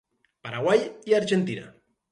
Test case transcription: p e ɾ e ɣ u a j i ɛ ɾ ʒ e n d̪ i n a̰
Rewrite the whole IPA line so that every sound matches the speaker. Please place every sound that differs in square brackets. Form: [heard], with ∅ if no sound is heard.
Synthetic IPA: p [a] ɾ [a] ɣ [w] a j i [a] ɾ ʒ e n [t̪] i n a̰